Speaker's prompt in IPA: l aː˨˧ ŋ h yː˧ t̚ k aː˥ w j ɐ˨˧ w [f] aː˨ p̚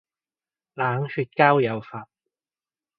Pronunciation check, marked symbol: correct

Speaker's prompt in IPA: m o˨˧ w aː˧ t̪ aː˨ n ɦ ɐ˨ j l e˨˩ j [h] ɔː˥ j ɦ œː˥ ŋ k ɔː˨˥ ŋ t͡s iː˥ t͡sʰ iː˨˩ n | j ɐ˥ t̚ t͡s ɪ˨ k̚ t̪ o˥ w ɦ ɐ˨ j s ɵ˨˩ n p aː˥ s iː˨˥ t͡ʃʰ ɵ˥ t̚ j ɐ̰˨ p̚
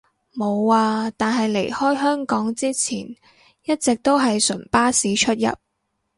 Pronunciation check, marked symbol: correct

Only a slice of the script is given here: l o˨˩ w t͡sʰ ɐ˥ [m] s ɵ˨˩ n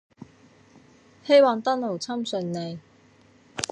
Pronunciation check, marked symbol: correct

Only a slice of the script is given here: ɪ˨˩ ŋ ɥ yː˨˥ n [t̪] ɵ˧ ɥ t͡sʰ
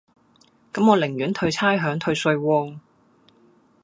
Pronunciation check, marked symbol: incorrect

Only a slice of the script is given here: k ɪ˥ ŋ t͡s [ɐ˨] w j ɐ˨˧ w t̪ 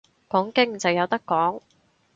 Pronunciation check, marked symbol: correct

